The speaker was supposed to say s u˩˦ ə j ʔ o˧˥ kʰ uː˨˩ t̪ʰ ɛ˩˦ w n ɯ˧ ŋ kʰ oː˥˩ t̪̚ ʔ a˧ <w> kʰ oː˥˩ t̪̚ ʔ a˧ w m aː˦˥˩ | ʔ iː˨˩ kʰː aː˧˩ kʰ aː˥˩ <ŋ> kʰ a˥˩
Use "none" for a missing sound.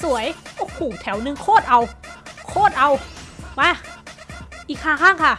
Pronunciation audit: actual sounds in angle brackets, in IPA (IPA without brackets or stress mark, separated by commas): w, ŋ